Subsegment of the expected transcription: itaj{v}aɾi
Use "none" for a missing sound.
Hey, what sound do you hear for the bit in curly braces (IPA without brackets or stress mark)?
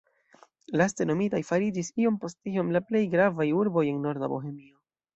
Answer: f